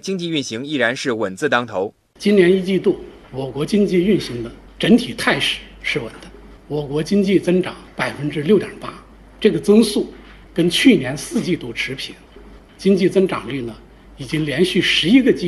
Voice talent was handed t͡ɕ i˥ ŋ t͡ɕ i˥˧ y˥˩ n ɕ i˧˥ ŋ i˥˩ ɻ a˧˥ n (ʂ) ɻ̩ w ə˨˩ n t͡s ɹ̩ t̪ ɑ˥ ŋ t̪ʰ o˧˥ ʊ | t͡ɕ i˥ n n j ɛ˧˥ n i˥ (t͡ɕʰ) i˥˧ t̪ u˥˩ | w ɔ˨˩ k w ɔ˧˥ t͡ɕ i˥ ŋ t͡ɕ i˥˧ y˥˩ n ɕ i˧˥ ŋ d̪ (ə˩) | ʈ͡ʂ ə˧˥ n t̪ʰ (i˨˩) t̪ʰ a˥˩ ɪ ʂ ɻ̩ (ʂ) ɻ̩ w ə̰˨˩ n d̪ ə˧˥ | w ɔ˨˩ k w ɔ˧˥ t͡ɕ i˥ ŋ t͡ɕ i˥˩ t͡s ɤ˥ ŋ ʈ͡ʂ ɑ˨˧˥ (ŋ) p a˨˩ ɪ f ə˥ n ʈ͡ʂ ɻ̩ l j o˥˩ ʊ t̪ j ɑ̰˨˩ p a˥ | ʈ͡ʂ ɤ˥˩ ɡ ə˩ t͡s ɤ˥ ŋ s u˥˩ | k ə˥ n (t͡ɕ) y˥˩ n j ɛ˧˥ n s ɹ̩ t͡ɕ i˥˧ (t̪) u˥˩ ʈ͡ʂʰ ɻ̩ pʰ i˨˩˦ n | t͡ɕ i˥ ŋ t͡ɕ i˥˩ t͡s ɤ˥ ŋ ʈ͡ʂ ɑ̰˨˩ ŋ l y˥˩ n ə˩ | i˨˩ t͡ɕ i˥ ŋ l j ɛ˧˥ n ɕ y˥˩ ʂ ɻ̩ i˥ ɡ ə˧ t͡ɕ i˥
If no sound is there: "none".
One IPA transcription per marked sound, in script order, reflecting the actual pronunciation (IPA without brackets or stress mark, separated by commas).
ʂ, t͡ɕ, ə˧, i˨˩, ʂ, ŋ, t͡ɕʰ, t̪